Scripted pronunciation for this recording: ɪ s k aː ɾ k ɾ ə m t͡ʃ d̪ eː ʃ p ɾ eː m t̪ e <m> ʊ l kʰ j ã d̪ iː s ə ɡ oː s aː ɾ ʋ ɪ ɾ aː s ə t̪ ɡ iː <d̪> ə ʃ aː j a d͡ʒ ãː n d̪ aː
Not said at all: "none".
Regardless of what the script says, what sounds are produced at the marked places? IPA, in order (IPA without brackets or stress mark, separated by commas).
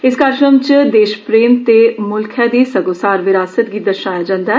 m, d̪